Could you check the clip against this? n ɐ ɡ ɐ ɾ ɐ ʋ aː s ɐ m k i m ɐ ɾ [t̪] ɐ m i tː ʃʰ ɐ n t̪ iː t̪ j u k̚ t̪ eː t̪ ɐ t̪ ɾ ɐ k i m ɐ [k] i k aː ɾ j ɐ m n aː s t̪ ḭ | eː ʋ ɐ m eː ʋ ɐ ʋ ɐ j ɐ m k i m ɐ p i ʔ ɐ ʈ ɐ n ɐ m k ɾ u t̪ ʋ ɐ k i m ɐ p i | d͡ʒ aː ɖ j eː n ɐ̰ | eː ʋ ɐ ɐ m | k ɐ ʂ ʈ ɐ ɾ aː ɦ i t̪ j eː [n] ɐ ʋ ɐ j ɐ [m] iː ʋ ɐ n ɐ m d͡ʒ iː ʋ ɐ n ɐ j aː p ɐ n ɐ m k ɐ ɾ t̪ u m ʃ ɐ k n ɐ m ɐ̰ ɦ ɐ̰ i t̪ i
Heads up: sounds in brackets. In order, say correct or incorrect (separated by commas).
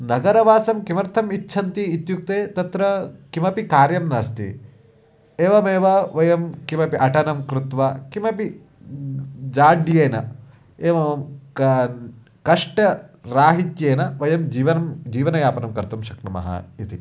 incorrect, incorrect, correct, correct